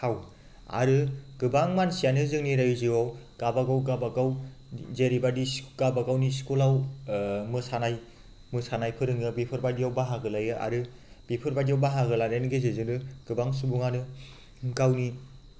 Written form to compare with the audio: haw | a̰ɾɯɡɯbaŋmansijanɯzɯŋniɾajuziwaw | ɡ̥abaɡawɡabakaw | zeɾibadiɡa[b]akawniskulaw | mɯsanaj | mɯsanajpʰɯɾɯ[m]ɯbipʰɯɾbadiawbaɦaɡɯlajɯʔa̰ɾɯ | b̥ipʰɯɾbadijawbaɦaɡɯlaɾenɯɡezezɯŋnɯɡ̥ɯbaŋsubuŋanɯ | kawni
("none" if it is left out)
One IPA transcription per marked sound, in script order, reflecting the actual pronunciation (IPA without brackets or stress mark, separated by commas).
b, ŋ